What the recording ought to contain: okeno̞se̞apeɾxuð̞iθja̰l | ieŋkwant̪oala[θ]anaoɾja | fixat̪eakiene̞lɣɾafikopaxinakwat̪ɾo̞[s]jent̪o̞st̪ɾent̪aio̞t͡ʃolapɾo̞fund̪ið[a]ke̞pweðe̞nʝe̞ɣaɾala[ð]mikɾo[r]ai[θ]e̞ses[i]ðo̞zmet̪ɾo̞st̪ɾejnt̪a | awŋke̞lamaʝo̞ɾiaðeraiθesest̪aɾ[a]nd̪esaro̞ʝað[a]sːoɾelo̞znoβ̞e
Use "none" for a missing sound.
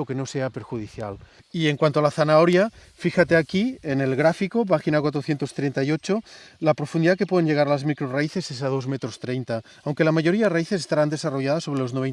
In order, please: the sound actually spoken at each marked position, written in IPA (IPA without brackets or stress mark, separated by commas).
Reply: θ, θ, a, z, r, θ, a, a, a